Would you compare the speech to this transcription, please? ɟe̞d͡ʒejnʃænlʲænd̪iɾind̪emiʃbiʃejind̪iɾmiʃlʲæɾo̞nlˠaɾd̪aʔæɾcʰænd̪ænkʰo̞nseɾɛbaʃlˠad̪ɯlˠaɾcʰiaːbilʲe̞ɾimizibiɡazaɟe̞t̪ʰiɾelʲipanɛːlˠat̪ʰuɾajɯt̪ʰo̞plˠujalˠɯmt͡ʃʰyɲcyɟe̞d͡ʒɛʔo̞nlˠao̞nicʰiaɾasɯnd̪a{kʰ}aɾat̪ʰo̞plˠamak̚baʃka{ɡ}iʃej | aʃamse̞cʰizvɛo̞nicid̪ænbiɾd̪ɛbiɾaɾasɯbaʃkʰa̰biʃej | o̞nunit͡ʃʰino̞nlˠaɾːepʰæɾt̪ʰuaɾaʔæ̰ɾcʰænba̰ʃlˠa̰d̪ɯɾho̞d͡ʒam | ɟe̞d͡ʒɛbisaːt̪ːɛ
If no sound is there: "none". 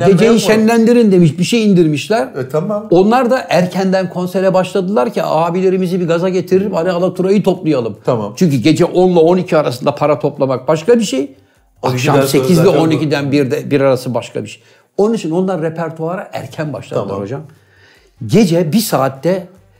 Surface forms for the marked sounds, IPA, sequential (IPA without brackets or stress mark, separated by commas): pʰ, b